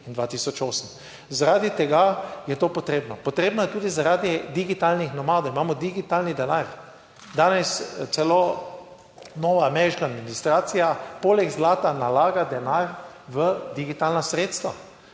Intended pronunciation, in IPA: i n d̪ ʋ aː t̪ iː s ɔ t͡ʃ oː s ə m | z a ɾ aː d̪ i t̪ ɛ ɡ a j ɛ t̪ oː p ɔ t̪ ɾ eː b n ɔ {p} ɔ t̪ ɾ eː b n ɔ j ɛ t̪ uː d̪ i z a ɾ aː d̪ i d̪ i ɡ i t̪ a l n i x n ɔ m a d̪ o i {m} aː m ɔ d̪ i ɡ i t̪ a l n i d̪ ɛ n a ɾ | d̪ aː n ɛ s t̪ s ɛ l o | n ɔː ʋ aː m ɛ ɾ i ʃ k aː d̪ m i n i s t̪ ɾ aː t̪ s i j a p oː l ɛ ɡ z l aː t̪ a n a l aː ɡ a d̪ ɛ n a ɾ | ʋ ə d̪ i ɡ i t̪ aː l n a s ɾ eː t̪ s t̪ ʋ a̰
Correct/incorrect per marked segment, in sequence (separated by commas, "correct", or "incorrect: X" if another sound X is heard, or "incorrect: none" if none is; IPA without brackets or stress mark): correct, correct